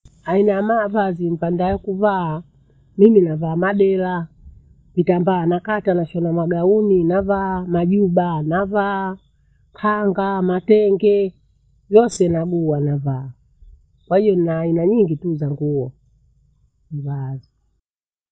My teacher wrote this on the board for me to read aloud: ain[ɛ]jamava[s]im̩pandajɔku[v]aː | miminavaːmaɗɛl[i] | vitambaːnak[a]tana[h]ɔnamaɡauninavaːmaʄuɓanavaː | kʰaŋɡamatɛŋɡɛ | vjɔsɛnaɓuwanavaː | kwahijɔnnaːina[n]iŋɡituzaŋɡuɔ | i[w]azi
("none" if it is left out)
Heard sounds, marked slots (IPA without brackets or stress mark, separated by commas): a, z, v, a, a, ʃ, ɲ, v